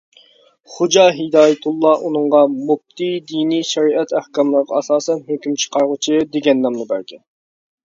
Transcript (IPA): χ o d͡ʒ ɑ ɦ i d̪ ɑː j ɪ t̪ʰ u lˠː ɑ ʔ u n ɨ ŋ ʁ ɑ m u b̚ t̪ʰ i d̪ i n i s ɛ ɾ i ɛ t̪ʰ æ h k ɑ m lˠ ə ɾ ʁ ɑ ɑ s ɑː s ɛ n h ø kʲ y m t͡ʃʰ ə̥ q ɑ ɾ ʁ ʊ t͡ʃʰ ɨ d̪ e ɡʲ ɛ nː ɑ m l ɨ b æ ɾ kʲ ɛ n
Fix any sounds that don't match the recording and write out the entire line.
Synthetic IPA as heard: χ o d͡ʒ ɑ ɦ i d̪ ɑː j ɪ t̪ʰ u lˠː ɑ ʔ u n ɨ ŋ ʁ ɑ m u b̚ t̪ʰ i d̪ i n i ʃ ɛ ɾ i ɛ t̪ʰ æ h k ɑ m lˠ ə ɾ ʁ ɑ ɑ s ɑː s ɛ n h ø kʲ y m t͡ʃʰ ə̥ q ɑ ɾ ʁ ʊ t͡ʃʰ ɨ d̪ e ɡʲ ɛ nː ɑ m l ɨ b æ ɾ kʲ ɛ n